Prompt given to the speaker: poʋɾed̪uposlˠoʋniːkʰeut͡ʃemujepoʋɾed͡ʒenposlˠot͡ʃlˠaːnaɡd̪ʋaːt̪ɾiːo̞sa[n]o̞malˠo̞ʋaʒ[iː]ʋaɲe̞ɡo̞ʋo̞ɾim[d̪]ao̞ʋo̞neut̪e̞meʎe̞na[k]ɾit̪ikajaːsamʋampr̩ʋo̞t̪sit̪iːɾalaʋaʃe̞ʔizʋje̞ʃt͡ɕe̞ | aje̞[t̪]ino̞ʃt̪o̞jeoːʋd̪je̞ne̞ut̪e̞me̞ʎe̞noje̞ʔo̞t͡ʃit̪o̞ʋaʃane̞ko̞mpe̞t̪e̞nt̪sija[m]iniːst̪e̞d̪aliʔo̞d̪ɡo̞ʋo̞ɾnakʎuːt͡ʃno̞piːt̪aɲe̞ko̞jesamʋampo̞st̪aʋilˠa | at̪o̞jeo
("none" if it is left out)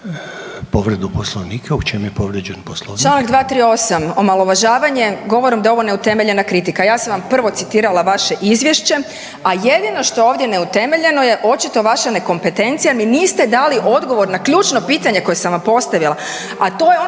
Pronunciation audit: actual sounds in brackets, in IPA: m, aː, d̪, k, d̪, m

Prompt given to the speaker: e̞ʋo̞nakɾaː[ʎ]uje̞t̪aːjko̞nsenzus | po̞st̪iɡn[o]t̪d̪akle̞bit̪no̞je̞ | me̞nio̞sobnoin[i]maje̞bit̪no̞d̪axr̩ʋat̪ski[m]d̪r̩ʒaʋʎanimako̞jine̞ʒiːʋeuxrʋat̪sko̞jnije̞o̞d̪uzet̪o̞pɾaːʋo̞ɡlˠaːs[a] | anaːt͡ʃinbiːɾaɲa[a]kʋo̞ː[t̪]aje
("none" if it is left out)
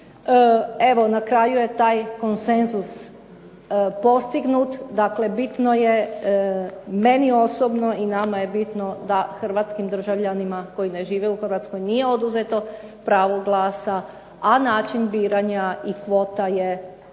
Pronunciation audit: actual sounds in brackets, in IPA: j, u, a, m, a, i, t̪

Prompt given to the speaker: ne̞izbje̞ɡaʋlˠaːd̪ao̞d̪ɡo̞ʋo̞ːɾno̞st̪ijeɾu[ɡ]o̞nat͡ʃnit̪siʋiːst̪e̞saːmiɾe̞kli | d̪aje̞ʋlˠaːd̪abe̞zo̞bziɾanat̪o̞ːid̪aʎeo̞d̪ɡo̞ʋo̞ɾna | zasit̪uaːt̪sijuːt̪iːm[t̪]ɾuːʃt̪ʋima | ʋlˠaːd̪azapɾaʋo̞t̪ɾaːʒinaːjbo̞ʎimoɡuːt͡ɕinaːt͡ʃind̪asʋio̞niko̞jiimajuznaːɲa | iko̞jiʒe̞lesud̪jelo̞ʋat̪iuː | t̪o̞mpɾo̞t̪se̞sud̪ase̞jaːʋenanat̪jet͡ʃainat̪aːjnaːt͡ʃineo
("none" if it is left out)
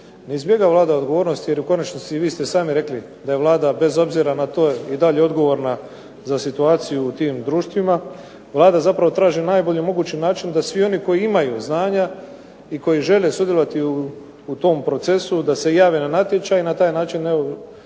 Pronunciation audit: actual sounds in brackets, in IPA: k, d̪

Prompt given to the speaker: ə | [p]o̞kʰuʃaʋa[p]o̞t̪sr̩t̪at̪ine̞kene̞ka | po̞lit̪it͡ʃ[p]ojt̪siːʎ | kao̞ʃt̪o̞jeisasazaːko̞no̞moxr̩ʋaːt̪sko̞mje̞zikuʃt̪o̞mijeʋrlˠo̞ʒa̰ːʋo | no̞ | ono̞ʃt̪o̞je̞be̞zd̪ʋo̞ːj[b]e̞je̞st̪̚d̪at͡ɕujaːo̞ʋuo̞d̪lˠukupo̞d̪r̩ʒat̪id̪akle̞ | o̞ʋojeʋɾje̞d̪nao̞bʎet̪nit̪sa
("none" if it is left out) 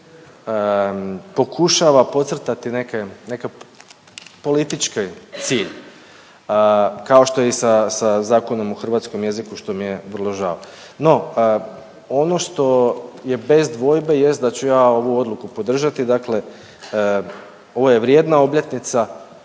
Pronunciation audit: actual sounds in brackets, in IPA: p, p, k, b

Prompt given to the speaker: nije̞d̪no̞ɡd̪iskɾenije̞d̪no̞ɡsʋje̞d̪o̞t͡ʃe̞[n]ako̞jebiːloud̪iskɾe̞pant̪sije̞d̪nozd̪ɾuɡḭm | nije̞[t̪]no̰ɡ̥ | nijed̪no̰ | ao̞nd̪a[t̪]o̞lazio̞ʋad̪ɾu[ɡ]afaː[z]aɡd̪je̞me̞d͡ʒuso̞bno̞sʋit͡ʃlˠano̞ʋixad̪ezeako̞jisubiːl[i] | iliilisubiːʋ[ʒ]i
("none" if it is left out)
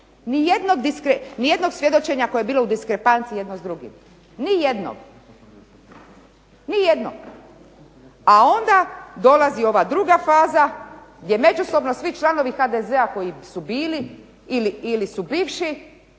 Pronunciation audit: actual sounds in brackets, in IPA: ɲ, d̪, d̪, ɡ, z, i, ʃ

